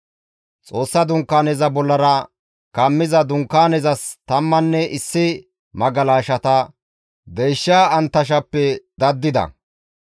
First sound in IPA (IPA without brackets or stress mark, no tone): t͡sʼ